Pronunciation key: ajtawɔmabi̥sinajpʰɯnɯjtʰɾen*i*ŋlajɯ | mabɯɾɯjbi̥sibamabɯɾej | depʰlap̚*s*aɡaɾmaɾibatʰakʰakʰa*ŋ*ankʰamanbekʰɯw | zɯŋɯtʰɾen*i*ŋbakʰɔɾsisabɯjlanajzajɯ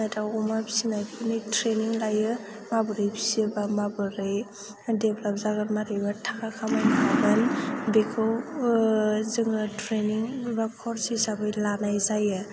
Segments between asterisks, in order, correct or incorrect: correct, incorrect, incorrect, correct

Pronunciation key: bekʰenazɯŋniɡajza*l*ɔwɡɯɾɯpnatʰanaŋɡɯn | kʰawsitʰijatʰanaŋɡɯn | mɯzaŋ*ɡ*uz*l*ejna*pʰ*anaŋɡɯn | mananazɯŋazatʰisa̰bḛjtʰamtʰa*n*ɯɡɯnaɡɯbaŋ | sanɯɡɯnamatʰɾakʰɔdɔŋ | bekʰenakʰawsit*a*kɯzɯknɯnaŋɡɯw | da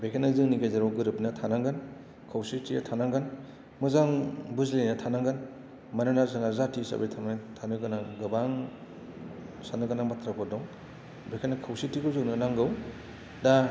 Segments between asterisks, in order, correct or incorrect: incorrect, incorrect, correct, incorrect, correct, incorrect

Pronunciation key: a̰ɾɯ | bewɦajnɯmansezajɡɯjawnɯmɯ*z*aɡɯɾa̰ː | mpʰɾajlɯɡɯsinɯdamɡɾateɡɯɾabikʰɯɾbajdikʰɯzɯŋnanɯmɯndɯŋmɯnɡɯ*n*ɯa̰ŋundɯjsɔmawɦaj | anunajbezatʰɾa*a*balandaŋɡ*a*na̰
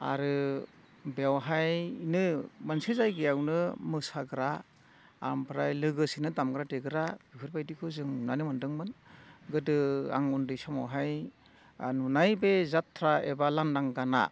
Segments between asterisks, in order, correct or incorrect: incorrect, incorrect, incorrect, correct

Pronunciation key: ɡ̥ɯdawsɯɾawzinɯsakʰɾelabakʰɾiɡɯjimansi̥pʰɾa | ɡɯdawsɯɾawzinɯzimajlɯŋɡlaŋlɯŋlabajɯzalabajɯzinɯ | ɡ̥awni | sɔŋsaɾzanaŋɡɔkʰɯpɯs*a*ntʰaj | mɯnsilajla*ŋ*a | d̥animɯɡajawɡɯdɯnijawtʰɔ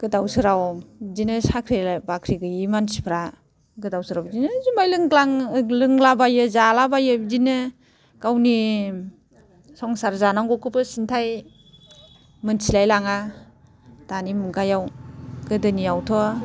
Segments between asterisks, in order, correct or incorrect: incorrect, correct

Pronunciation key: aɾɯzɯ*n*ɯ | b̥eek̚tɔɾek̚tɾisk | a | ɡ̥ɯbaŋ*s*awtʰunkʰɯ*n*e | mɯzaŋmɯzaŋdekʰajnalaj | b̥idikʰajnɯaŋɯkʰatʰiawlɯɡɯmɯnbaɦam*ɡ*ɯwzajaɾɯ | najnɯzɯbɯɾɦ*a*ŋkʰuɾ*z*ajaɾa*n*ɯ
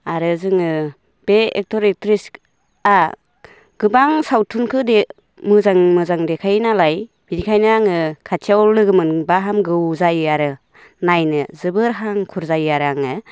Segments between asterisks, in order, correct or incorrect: incorrect, correct, incorrect, correct, correct, correct, incorrect

